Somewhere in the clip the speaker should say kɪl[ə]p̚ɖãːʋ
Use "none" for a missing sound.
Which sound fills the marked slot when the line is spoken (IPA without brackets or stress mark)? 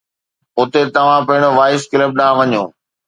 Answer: ə